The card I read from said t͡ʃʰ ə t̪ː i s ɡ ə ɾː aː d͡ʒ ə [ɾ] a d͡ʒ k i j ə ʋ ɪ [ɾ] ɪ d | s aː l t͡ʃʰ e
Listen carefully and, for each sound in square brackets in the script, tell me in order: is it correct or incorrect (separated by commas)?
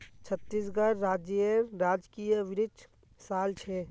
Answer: correct, correct